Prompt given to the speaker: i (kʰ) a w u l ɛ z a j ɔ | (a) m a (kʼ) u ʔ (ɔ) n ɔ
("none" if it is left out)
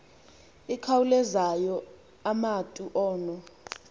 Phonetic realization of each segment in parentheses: kʰ, a, tʼ, ɔː

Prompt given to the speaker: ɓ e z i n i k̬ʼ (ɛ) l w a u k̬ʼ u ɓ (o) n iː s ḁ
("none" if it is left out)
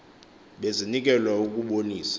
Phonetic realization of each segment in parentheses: ɛ, o

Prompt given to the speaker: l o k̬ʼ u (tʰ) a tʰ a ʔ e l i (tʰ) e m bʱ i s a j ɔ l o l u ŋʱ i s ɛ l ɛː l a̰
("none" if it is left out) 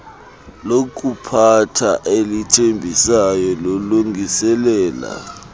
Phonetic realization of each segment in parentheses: pʰ, tʰ

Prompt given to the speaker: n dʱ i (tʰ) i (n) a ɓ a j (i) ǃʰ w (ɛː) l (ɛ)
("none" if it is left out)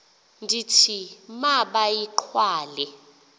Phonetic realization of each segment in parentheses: tʰ, m, i, aː, ɛ

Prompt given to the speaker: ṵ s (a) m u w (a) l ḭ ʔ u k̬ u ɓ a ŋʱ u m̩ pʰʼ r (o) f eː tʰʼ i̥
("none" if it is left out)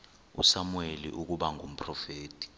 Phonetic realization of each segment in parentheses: a, e, ɔ

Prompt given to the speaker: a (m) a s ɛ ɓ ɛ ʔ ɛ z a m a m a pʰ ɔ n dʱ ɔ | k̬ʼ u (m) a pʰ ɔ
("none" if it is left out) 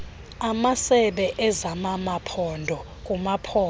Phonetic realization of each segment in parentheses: m, m

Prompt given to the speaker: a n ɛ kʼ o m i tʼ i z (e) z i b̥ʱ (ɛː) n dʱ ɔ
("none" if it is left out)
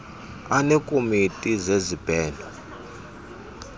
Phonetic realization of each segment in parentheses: e, ɛː

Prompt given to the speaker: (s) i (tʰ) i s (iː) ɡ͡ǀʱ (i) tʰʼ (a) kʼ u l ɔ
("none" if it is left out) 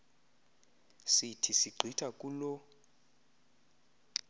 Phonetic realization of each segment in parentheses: s, tʰ, i, i, a

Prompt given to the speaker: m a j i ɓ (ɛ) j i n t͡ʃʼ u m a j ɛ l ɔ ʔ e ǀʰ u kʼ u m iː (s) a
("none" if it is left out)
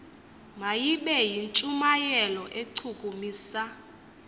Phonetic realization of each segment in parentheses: ɛ, s

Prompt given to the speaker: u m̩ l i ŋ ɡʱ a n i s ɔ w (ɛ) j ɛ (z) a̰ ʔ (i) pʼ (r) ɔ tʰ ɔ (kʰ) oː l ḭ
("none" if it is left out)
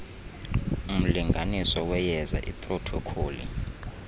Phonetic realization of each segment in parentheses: ɛ, z, i, r, kʰ

